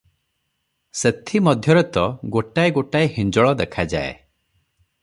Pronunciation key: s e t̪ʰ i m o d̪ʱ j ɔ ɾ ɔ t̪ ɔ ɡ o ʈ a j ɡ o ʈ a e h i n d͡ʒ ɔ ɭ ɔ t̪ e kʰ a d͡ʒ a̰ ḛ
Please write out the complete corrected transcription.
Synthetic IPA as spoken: s e t̪ʰ i m ɔ d̪ʱ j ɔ ɾ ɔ t̪ ɔ ɡ o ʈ a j ɡ o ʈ a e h i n d͡ʒ ɔ ɭ ɔ d̪ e kʰ a d͡ʒ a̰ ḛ